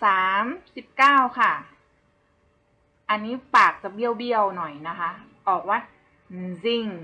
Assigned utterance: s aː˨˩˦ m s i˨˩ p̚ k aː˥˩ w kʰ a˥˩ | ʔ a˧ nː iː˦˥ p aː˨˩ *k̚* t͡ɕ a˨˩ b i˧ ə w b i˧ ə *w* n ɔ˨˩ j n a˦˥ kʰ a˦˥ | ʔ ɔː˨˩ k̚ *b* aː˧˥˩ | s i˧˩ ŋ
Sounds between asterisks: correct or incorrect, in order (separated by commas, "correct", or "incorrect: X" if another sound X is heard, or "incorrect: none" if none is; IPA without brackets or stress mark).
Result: correct, correct, incorrect: w